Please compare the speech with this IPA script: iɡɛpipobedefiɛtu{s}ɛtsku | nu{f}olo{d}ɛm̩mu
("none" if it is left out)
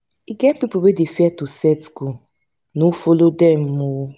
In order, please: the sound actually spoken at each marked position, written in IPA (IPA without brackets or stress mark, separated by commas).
s, f, d